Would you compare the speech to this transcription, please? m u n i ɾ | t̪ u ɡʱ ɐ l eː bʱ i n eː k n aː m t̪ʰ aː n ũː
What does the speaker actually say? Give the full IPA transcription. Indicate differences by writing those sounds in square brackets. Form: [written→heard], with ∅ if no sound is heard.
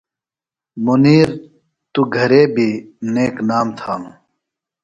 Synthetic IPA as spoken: m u n [i→iː] ɾ | t̪ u ɡʱ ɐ [l→ɾ] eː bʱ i n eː k n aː m t̪ʰ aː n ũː